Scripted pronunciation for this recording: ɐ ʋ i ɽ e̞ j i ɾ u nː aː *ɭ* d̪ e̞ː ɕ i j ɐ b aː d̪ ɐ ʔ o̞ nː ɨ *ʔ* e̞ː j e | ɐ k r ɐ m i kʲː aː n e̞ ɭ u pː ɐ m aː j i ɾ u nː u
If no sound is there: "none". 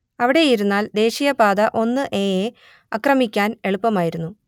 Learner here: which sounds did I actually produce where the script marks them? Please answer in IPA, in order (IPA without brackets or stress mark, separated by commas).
l, ʔ